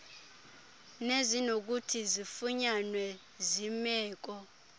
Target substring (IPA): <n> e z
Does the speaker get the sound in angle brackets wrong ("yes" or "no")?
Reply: no